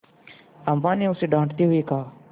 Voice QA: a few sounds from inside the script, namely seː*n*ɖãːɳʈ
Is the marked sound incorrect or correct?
incorrect